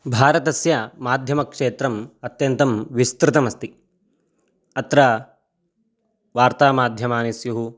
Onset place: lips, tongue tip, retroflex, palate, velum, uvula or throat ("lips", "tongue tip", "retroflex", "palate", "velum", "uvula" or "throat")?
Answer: lips